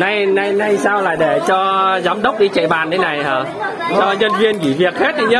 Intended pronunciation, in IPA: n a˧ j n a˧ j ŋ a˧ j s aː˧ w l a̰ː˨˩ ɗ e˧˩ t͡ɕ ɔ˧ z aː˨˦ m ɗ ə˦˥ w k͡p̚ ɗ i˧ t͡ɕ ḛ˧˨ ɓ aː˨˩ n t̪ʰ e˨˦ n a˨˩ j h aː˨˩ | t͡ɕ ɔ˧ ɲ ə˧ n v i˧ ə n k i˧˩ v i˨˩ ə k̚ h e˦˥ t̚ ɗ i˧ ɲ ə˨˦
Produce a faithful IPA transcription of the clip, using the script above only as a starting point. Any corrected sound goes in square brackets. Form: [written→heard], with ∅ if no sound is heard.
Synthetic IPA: n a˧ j n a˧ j [ŋ→n] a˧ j s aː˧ w l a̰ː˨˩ ɗ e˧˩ t͡ɕ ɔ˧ z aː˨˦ m ɗ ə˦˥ w k͡p̚ ɗ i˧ t͡ɕ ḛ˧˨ ɓ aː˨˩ n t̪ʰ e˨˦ n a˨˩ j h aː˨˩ | t͡ɕ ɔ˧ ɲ ə˧ n v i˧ ə n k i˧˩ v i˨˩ ə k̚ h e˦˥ t̚ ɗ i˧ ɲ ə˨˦

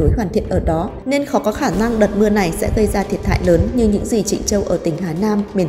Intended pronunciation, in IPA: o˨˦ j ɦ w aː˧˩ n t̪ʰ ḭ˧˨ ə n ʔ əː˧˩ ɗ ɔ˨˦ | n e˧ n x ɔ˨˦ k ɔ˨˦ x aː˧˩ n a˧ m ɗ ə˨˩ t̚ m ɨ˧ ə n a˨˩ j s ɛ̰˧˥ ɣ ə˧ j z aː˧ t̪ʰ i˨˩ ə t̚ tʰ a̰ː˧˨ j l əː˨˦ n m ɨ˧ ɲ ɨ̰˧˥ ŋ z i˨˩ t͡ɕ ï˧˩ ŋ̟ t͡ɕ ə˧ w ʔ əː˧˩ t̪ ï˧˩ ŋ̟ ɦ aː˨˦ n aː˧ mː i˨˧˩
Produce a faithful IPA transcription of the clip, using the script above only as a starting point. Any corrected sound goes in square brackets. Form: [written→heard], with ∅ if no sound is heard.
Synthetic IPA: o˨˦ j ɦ w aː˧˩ n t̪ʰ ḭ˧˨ ə n ʔ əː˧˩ ɗ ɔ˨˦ | n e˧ n x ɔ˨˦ k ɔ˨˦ x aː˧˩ n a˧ [m→ŋ] ɗ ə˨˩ t̚ m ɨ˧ ə n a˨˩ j s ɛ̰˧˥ ɣ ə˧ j z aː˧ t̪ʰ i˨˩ ə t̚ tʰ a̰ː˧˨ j l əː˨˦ n [m→ɲ] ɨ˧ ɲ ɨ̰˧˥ ŋ z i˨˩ t͡ɕ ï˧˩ ŋ̟ t͡ɕ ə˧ w ʔ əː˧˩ t̪ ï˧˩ ŋ̟ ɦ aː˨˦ n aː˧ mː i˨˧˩

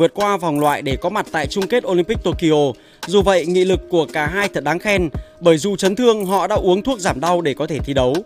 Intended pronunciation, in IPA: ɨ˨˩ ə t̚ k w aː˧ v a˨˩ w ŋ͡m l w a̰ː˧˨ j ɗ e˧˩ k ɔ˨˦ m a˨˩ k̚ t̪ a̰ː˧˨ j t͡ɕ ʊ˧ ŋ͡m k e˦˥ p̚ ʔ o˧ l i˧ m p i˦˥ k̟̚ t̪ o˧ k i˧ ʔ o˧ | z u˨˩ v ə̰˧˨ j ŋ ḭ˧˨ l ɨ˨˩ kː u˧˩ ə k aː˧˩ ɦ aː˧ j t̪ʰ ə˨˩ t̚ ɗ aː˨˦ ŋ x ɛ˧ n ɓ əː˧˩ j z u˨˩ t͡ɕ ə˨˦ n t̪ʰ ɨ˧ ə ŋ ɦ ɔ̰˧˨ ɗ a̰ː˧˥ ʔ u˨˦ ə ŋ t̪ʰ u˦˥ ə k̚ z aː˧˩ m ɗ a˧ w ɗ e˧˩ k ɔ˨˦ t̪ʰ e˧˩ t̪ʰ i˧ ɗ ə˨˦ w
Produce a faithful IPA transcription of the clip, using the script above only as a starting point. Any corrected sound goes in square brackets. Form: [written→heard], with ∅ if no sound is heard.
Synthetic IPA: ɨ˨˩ ə t̚ k w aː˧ v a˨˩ w ŋ͡m l w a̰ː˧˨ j ɗ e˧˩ k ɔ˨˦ m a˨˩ [k̚→t̚] t̪ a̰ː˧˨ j t͡ɕ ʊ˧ ŋ͡m k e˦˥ [p̚→t̚] ʔ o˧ l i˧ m p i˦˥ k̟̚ t̪ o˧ k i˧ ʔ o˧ | z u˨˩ v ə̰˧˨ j ŋ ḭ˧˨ l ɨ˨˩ kː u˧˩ ə k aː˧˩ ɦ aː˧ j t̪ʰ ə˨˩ t̚ ɗ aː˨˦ ŋ x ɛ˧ n ɓ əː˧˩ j z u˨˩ t͡ɕ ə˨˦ n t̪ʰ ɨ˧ ə ŋ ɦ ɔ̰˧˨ ɗ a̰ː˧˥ ʔ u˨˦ ə ŋ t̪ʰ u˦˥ ə k̚ z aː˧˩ m ɗ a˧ w ɗ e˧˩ k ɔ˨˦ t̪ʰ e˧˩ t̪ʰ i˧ ɗ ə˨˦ w

